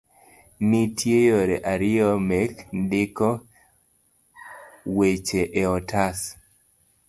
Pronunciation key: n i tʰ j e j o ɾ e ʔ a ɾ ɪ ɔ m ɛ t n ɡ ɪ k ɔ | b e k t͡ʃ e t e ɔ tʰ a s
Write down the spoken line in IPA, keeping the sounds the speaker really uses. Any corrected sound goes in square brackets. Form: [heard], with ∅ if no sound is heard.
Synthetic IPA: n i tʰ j e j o ɾ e ʔ a ɾ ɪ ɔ m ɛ [k] n [d] ɪ k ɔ | [w] e [∅] t͡ʃ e [ʔ] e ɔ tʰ a s